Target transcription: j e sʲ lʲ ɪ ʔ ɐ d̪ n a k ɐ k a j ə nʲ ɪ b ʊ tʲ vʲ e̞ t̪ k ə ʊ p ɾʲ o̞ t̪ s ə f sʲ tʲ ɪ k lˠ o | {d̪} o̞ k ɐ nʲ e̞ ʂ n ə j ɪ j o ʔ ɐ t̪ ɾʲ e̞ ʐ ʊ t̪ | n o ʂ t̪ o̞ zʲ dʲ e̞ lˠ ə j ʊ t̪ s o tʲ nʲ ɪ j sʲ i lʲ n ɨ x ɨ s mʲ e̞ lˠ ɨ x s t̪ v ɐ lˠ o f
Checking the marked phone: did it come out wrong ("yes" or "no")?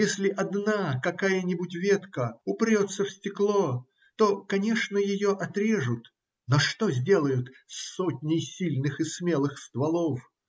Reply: yes